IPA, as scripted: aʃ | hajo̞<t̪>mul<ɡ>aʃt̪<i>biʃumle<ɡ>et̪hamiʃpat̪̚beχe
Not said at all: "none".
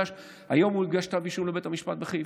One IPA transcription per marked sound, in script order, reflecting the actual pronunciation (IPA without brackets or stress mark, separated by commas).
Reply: none, ɡ, a, b